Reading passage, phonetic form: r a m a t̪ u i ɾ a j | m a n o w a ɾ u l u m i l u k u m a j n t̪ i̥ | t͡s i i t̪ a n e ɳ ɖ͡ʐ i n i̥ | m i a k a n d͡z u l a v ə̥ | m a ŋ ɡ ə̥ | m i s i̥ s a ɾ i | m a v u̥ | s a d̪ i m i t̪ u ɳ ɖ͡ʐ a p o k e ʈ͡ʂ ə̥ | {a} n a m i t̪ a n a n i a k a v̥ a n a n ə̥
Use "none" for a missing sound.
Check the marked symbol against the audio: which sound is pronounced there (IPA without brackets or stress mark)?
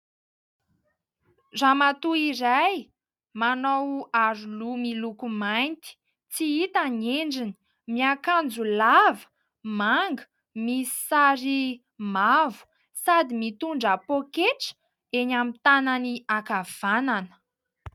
e